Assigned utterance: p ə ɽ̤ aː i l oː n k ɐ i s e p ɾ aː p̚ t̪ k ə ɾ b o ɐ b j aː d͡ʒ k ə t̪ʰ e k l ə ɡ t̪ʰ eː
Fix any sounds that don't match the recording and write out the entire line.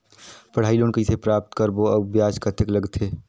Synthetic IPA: p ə ɽ̤ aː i l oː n k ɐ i s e p ɾ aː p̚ t̪ k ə ɾ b o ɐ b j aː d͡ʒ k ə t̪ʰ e k l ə ɡ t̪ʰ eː